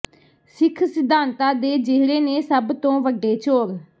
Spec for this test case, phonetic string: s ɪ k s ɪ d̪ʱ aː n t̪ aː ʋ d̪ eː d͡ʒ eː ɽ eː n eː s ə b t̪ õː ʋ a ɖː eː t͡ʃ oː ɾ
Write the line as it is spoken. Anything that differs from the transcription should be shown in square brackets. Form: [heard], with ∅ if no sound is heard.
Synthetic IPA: s ɪ [kʰ] s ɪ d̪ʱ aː n t̪ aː [∅] d̪ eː d͡ʒ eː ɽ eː n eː s ə b t̪ õː ʋ [ə] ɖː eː t͡ʃ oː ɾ